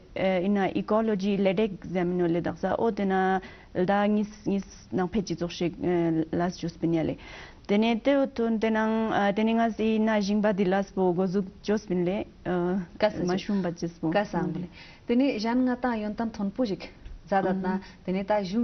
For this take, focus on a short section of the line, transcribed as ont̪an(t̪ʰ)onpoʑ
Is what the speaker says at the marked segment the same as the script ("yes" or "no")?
yes